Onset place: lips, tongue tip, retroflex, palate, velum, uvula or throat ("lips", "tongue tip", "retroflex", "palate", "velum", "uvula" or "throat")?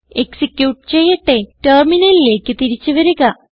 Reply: velum